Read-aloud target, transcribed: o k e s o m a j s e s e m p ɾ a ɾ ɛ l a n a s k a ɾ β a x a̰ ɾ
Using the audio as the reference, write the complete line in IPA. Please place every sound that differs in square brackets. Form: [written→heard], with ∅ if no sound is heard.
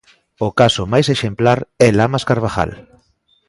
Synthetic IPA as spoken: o k [e→a] s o m a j s e [s→ʃ] e m p [ɾ→l] a ɾ ɛ l a [n→m] a s k a ɾ β a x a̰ [ɾ→l]